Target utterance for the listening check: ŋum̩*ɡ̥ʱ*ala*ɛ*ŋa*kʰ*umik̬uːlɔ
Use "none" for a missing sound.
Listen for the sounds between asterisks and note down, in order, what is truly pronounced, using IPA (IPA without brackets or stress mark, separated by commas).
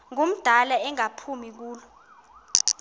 d̥ʱ, ɛ, pʰ